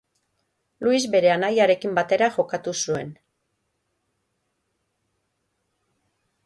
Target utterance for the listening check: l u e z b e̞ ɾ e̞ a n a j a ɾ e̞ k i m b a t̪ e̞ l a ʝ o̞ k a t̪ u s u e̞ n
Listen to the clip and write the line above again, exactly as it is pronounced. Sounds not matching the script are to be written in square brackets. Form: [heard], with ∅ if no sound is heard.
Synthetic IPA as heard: l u [i] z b e̞ ɾ e̞ a n a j a ɾ e̞ k i m b a t̪ e̞ [ɾ] a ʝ o̞ k a t̪ u s u e̞ n

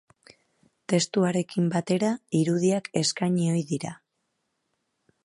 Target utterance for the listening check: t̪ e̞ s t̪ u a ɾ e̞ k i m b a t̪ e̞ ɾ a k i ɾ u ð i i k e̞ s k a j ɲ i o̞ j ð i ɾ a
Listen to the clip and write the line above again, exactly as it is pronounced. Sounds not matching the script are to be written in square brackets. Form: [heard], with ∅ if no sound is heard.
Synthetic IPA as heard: t̪ e̞ s t̪ u a ɾ e̞ k i m b a t̪ e̞ ɾ a [∅] i ɾ u ð i [a] k e̞ s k a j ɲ i o̞ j ð i ɾ a

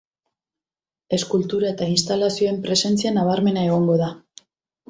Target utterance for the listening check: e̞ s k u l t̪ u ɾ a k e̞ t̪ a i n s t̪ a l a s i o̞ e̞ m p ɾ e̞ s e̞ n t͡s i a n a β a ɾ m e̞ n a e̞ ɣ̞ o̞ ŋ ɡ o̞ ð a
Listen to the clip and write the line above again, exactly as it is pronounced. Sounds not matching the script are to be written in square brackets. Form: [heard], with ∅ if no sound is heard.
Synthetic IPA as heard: e̞ s k u l t̪ u ɾ a [∅] e̞ t̪ a i n s t̪ a l a s i o̞ e̞ m p ɾ e̞ s e̞ n t͡s i a n a β a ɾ m e̞ n a e̞ ɣ̞ o̞ ŋ ɡ o̞ ð a

